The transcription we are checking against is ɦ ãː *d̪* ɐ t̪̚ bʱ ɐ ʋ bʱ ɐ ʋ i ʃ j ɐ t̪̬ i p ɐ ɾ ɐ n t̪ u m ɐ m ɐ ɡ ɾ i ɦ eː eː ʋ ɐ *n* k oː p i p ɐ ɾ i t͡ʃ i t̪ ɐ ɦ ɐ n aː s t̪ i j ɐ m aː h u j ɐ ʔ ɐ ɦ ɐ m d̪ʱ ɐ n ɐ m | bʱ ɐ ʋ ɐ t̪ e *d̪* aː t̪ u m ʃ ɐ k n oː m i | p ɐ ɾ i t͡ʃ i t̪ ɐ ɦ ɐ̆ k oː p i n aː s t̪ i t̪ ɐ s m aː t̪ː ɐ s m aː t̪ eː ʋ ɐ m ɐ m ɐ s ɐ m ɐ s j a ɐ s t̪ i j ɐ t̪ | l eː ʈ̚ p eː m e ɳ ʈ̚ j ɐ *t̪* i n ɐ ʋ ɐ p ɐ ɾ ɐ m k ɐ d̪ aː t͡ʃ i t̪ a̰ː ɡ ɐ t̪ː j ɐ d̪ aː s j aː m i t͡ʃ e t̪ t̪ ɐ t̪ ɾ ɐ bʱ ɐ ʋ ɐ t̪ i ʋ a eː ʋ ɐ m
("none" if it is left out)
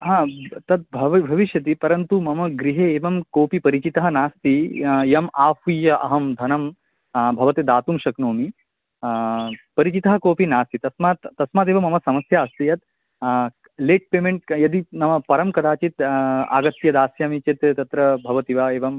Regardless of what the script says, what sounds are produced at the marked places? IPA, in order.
t̪, m, d̪, d̪

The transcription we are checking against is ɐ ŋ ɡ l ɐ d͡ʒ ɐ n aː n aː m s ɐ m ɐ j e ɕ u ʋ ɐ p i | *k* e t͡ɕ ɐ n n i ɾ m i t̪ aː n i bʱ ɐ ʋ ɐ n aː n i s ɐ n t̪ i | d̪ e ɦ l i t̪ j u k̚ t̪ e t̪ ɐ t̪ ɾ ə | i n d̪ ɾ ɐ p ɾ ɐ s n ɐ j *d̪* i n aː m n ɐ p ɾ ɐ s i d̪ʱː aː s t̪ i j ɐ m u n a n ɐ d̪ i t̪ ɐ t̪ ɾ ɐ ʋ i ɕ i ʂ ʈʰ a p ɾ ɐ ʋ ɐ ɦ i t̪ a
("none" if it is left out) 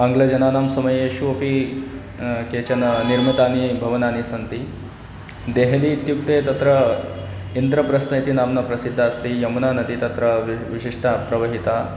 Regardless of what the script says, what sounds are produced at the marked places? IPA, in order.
k, t̪

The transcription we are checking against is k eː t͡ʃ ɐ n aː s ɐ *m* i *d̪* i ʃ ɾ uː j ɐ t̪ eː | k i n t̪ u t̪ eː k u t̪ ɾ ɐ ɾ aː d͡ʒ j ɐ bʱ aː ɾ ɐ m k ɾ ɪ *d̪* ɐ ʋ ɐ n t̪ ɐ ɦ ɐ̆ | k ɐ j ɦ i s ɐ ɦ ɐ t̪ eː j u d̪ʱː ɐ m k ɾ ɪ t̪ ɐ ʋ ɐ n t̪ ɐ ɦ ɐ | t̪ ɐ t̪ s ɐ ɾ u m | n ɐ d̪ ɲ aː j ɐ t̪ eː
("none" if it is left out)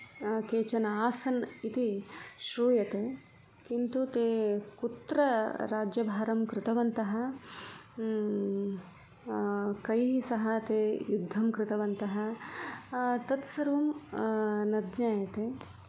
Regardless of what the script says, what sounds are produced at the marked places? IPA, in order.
n, t̪, t̪

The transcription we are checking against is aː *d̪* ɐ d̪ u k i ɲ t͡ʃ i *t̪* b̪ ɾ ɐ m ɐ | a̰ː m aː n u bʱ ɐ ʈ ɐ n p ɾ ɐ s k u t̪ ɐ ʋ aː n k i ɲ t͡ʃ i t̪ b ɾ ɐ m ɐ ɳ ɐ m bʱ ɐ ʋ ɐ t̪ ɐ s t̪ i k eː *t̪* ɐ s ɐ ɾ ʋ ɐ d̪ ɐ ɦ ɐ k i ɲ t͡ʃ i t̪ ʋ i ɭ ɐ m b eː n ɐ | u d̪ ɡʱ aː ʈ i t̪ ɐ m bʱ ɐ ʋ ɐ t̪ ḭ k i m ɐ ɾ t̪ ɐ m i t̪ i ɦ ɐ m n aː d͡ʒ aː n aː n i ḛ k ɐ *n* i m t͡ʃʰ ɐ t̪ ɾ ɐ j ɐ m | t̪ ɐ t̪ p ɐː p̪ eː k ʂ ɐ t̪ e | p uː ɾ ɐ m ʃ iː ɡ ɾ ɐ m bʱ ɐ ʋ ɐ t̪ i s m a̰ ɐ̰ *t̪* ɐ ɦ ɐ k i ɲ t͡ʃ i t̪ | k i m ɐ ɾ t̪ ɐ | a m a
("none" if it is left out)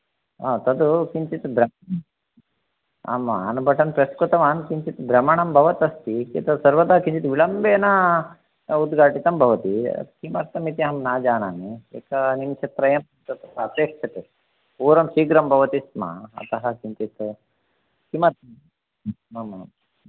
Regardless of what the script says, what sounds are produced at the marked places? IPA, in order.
t̪, t̪, t̪, n, t̪

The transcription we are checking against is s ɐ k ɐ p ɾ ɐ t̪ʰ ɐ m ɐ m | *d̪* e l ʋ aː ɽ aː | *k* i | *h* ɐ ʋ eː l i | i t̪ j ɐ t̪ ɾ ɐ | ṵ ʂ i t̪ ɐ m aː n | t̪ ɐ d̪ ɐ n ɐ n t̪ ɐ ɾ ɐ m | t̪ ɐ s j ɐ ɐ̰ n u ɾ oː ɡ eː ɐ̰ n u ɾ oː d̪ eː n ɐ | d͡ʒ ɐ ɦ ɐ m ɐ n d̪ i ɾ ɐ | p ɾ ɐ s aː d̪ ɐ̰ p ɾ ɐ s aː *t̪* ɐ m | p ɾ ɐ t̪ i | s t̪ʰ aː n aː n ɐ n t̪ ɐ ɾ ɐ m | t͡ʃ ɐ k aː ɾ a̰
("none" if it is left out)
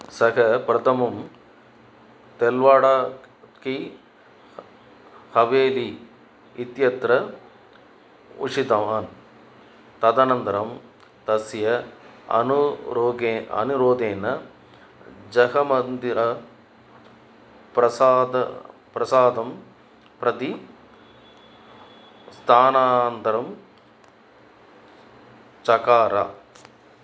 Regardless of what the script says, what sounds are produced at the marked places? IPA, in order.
t̪, k, h, d̪

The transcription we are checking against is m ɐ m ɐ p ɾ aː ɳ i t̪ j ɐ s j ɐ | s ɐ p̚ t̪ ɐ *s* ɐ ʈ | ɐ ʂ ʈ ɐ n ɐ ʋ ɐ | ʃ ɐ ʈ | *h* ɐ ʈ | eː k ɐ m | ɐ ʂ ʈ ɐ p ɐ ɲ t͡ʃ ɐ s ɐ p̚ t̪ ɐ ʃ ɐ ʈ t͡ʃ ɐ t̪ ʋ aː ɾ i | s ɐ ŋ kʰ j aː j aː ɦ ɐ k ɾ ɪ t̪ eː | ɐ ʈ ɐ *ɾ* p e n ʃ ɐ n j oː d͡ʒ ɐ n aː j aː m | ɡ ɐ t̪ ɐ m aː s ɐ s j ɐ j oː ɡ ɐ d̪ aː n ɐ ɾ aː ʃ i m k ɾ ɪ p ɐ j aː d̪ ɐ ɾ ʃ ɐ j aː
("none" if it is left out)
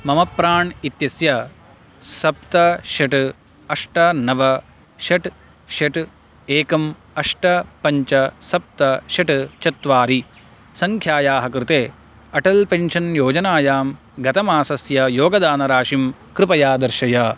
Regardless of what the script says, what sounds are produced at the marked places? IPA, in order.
ʃ, ʃ, l

